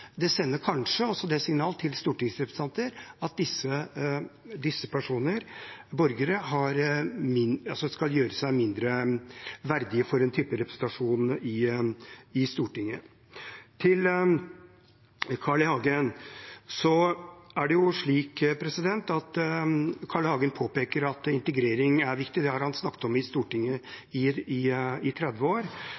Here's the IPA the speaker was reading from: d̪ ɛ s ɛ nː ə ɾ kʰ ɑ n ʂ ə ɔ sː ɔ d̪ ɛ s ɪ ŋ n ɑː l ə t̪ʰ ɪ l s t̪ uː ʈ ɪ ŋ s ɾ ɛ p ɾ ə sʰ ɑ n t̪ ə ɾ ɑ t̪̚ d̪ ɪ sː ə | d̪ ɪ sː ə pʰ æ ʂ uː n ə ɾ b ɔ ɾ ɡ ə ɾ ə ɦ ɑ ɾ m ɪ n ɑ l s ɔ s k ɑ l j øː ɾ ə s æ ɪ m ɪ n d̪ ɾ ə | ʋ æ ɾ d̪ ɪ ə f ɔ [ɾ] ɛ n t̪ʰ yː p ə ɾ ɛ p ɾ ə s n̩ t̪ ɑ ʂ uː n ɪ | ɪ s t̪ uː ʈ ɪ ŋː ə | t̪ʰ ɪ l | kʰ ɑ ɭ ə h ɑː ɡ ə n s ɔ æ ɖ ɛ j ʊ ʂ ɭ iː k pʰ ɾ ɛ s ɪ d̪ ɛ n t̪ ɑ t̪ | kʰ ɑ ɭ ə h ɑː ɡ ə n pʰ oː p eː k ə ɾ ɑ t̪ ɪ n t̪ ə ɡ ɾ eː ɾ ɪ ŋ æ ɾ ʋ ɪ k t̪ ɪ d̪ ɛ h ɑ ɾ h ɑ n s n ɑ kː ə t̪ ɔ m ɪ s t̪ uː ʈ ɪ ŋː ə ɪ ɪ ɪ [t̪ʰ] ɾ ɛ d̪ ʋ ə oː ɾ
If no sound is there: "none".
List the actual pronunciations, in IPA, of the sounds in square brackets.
ɾ, t̪ʰ

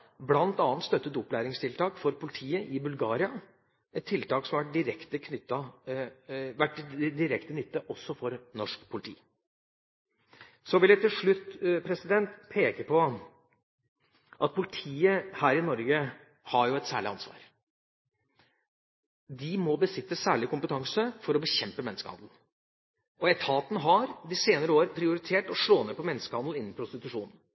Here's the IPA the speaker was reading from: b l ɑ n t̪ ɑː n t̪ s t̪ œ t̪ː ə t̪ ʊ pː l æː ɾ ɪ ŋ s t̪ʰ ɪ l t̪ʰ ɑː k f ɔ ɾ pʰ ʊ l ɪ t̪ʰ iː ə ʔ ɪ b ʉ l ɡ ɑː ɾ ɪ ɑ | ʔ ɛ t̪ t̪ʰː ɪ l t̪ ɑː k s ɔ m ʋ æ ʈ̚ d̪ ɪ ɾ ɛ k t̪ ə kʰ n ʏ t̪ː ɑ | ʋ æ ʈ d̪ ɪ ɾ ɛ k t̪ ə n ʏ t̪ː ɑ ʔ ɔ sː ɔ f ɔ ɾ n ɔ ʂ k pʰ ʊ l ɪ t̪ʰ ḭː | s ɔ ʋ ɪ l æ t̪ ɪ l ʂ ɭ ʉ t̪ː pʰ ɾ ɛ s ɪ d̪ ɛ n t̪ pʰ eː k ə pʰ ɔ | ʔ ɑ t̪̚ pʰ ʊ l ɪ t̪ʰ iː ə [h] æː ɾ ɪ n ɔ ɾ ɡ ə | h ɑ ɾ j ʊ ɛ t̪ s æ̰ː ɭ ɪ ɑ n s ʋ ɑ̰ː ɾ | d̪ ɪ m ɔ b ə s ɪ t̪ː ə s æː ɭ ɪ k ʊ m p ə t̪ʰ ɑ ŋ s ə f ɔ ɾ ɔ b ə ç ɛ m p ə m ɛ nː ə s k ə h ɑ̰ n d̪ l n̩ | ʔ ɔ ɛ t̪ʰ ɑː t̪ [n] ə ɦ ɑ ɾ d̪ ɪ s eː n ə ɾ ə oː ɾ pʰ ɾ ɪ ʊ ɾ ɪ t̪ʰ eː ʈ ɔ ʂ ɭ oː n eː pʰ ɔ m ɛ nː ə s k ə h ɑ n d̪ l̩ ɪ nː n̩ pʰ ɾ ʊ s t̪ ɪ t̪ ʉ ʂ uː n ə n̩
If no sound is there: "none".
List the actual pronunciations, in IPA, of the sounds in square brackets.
h, n

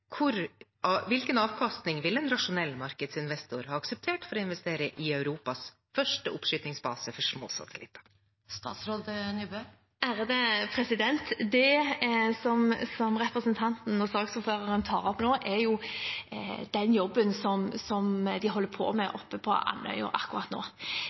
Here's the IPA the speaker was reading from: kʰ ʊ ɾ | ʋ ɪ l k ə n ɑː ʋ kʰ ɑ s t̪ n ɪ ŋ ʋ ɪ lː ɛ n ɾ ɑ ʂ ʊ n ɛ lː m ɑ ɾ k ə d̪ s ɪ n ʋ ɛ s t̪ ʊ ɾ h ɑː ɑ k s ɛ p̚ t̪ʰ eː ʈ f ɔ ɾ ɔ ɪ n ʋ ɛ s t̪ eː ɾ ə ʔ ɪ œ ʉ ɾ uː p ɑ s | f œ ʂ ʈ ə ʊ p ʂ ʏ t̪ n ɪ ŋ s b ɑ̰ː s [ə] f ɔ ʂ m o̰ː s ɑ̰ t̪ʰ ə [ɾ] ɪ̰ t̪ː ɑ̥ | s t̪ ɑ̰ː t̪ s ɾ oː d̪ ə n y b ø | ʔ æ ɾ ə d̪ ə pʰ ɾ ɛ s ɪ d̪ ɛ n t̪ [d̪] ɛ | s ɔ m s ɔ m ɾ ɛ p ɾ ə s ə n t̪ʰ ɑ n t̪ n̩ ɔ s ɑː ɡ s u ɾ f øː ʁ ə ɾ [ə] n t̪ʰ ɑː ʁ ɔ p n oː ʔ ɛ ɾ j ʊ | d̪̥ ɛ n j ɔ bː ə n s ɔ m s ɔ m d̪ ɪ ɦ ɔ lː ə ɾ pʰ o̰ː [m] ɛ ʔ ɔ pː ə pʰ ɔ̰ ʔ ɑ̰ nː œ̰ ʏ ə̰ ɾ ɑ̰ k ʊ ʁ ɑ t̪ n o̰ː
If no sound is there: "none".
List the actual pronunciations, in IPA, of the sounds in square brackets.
ə, l, d̪, ə, m

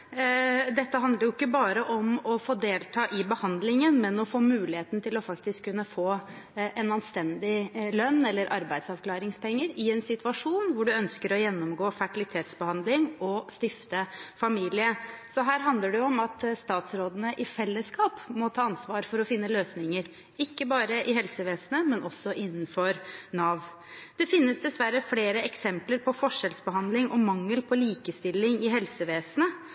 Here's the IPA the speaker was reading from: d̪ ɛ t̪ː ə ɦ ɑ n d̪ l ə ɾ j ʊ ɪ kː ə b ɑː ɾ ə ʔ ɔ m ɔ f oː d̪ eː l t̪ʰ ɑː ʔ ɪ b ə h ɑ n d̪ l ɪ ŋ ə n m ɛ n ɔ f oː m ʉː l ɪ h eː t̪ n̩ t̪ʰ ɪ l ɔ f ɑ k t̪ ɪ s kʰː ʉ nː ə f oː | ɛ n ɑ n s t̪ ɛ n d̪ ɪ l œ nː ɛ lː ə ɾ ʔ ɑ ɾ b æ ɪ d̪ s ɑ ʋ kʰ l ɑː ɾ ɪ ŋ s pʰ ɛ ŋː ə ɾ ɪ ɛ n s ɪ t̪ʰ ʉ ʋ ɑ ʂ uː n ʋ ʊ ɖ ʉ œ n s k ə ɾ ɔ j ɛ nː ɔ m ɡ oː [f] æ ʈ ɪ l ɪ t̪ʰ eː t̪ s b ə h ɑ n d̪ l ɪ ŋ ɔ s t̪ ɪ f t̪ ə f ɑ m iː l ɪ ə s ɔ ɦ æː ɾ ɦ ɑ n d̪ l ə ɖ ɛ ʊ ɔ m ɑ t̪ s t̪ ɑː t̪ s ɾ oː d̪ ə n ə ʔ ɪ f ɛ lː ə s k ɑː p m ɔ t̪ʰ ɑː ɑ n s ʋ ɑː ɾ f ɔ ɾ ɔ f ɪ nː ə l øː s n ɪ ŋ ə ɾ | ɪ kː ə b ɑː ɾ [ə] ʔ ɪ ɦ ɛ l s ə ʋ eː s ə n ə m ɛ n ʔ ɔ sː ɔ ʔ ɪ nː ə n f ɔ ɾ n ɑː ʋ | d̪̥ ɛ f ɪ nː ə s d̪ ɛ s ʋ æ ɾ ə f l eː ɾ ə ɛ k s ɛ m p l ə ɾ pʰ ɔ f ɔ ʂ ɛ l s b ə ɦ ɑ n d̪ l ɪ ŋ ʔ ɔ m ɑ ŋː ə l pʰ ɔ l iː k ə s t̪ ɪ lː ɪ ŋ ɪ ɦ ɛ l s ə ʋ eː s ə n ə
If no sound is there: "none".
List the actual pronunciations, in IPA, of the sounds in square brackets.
f, ə

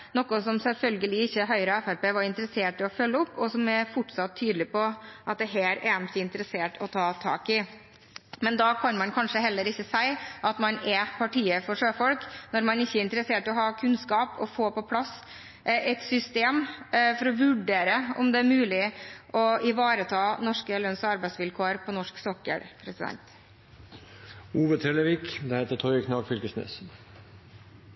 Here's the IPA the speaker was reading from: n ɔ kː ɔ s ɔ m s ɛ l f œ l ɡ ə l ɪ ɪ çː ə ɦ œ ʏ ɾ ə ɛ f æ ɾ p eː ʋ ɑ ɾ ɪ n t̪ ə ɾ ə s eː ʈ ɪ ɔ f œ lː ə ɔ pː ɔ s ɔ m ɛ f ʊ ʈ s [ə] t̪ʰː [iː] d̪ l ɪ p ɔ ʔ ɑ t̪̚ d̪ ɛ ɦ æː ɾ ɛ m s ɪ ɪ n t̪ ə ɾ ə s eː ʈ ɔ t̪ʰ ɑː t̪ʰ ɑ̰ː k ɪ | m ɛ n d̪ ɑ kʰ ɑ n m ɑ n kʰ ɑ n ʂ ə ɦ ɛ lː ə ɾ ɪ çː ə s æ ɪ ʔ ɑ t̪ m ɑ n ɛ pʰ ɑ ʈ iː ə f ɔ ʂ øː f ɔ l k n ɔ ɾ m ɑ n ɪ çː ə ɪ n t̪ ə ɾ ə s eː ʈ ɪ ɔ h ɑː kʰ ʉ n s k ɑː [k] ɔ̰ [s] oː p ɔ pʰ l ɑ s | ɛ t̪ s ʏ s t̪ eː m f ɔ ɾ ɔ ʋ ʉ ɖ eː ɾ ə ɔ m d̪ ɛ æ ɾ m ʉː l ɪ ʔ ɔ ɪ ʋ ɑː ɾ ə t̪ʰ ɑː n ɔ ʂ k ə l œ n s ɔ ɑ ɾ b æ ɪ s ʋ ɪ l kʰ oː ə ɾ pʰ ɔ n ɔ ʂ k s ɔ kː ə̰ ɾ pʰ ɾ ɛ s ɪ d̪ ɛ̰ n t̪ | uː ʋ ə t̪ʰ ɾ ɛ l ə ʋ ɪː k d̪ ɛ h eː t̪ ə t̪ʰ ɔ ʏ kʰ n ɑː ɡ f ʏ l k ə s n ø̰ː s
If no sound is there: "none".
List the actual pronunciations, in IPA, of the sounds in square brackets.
ɑ, yː, p, f

